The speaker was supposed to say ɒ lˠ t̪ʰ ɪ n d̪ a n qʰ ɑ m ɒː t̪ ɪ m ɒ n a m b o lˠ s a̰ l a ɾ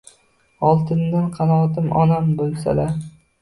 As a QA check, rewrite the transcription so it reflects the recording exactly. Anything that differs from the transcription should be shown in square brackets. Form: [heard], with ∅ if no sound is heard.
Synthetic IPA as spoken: ɒ lˠ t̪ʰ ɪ n d̪ a n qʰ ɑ [n] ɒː t̪ ɪ m ɒ n a m b o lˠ s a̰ l a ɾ